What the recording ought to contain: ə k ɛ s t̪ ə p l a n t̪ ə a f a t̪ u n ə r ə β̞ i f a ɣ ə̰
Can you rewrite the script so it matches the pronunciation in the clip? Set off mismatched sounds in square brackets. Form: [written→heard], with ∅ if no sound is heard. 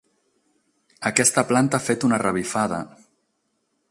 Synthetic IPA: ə k ɛ s t̪ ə p l a n t̪ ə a f [a→e] t̪ u n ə r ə β̞ i f a [ɣ→ð] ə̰

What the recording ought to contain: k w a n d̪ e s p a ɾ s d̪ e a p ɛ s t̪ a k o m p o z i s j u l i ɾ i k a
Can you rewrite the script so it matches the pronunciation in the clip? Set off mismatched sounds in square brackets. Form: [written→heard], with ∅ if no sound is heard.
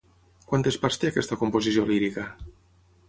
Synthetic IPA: k w a n [d̪→t̪] e s p a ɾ s [d̪→t̪] e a [p→k] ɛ s t̪ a k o m p o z i s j [u→o] l i ɾ i k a

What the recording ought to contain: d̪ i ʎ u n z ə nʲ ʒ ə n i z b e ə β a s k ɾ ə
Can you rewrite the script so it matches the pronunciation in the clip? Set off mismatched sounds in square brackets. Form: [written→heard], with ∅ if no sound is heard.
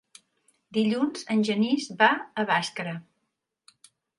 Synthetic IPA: d̪ i ʎ u n z ə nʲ ʒ ə n i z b [e→a] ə β a s k ɾ ə

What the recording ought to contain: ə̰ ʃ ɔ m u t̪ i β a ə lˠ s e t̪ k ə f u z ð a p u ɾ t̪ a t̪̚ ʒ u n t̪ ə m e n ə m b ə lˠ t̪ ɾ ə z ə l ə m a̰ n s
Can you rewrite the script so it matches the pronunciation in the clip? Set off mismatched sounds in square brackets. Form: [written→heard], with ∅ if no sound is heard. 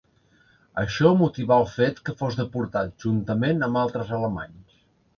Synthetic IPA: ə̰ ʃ ɔ m u t̪ i β a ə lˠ [s→f] e t̪ k ə f [u→o] z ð [a→ə] p u ɾ t̪ a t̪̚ ʒ u n t̪ ə m e n ə m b [ə→a] lˠ t̪ ɾ ə z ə l ə m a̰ [n→ɲ] s

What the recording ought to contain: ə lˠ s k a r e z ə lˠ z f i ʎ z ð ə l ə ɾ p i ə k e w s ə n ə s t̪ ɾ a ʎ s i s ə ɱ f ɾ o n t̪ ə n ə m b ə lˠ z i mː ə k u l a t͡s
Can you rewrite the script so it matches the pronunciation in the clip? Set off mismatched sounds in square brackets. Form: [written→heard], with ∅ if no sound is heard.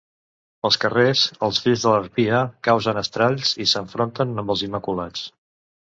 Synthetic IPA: ə lˠ s k [a→ə] r e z ə lˠ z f i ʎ z ð ə l ə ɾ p i ə k [e→a] w [s→z] ə n ə s t̪ ɾ a ʎ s i s ə ɱ f ɾ o n t̪ ə n ə m b ə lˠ z i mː ə k u l a t͡s

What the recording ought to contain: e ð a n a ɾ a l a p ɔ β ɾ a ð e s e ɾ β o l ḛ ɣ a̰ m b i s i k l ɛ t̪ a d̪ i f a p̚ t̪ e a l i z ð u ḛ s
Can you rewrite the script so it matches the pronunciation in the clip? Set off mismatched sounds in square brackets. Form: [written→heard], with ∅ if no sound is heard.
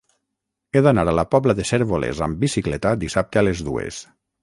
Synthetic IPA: e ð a n a ɾ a l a p ɔ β [ɾ→l] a ð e s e ɾ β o l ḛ [ɣ→z] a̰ m b i s i k l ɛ t̪ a d̪ i [f→s] a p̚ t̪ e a l [i→e] z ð u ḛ s

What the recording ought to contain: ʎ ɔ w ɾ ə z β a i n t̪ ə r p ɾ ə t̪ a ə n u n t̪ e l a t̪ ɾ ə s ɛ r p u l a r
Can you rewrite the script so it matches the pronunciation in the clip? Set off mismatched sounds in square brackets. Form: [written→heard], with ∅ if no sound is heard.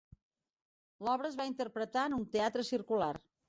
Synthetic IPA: [ʎ→l] ɔ [w→β] ɾ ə z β a i n t̪ ə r p ɾ ə t̪ a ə n u n t̪ e [l→∅] a t̪ ɾ ə s [ɛ→i] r [p→k] u l a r

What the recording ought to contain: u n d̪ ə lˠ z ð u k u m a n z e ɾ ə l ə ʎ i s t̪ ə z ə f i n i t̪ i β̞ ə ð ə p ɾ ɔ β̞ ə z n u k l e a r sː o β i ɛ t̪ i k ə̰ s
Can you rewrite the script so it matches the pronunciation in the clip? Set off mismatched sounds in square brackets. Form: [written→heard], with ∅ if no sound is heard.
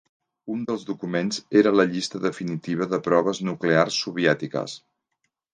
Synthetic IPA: u n d̪ ə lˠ z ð u k u m [a→e] n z e ɾ ə l ə ʎ i s t̪ ə [z→ð] ə f i n i t̪ i β̞ ə ð ə p ɾ ɔ β̞ ə z n u k l e a r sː [o→u] β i ɛ t̪ i k ə̰ s

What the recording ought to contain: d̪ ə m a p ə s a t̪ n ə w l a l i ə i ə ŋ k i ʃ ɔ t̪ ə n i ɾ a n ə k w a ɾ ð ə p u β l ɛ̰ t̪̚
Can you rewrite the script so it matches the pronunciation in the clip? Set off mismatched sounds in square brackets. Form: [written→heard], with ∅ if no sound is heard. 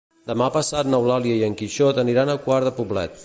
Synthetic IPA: d̪ ə m a p ə s a t̪ n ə w l a l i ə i ə ŋ k i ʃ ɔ t̪ ə n i ɾ a n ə k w a ɾ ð ə p u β l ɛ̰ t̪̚

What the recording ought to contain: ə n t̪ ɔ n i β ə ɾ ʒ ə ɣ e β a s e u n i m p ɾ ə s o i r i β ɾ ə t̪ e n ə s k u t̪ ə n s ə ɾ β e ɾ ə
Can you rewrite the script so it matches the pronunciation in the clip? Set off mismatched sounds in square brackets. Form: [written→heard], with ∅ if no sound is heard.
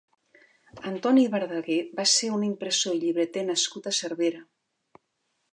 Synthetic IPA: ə n t̪ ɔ n i β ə ɾ [ʒ→ð] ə ɣ e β a s e u n i m p ɾ ə s o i [r→ʎ] i β ɾ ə t̪ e n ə s k u t̪ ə [n→∅] s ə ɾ β e ɾ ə

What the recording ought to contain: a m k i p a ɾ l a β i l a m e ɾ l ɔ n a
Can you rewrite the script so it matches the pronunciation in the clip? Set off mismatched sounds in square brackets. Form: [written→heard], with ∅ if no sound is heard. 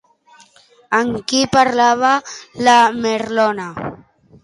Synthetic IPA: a [m→ŋ] k i p a ɾ l a β [i→a] l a m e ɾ l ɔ n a

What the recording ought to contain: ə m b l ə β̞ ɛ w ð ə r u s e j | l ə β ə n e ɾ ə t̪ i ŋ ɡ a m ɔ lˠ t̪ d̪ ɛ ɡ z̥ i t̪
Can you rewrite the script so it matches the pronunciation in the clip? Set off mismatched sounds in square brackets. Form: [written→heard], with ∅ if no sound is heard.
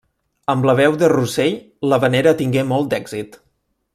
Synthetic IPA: ə m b l ə β̞ ɛ w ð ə r u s e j | l ə β ə n e ɾ ə t̪ i ŋ ɡ [a→e] m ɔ lˠ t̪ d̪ ɛ ɡ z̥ i t̪

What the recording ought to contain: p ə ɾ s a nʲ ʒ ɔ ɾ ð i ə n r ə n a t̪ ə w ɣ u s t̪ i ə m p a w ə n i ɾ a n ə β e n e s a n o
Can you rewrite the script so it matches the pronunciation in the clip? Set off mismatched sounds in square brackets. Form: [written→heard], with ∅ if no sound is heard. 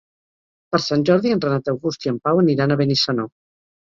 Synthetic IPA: p ə ɾ s a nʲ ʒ ɔ ɾ ð i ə n r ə n a t̪ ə w ɣ u s t̪ i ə m p a w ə n i ɾ a n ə β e n [e→i] s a n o

